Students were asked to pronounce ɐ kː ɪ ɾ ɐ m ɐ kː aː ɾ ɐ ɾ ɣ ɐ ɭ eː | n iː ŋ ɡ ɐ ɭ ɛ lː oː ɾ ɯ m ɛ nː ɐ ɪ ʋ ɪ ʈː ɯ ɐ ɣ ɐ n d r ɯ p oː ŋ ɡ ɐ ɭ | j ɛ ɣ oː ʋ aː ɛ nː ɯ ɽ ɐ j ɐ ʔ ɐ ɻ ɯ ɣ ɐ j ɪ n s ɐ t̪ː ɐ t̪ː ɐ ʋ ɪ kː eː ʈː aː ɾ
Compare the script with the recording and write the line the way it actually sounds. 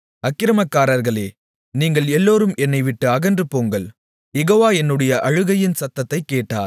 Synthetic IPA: ɐ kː ɪ ɾ ɐ m ɐ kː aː ɾ ɐ ɾ ɣ ɐ ɭ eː | n iː ŋ ɡ ɐ ɭ ɛ lː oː ɾ ɯ m ɛ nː ɐ ɪ ʋ ɪ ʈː ɯ ɐ ɣ ɐ n d r ɯ p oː ŋ ɡ ɐ ɭ | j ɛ ɣ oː ʋ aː ɛ nː ɯ ɽ ɐ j ɐ ʔ ɐ ɻ ɯ ɣ ɐ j ɪ n s ɐ t̪ː ɐ t̪ː ɐ ɪ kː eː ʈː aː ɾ